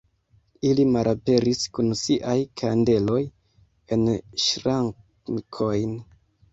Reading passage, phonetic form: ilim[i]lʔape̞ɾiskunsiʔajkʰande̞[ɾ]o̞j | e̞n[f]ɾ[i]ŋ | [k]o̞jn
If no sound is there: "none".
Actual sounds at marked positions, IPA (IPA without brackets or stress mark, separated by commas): a, l, ʃ, a, kʰ